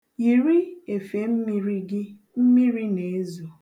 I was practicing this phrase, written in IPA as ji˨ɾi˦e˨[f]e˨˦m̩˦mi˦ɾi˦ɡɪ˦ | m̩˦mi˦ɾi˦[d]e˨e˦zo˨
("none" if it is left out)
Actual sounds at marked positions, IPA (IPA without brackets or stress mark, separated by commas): f, n